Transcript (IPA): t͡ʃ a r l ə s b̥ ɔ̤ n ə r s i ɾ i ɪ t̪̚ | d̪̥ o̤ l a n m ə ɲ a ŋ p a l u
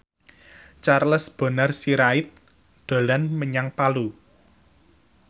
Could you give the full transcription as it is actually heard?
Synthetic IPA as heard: t͡ʃ a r l ə s b̥ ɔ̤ n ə r s i ɾ a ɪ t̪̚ | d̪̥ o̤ l a n m ə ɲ a ŋ p a l u